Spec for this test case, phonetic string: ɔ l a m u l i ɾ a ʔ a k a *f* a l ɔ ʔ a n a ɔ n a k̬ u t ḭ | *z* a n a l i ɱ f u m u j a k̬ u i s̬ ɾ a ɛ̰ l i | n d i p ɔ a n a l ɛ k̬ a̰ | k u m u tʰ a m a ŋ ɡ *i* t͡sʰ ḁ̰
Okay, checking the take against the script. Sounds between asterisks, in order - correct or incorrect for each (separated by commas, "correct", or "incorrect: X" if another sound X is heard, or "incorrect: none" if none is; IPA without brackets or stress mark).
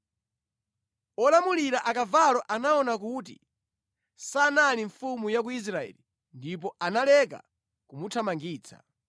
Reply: incorrect: v, incorrect: s, incorrect: iː